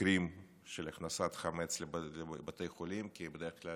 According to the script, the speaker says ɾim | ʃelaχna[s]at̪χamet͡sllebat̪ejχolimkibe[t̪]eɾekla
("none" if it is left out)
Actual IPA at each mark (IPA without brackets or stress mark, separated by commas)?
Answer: s, d̪